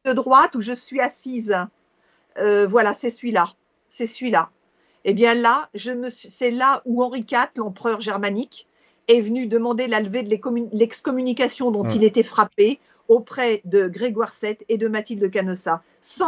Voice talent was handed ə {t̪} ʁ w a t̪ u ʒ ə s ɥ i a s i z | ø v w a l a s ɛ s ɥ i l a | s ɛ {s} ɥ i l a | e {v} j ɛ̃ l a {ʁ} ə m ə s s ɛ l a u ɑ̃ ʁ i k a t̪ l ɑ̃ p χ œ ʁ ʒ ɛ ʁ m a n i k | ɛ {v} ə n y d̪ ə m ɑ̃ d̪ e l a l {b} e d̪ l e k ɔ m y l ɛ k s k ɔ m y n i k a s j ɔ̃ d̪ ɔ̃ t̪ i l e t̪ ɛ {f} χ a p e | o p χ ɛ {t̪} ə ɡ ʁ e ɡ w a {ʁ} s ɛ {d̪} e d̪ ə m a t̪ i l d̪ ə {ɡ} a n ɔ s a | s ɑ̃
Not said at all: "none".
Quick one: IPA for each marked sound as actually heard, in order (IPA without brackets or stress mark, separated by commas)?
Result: d̪, s, b, ʒ, v, v, f, d̪, ʁ, t̪, k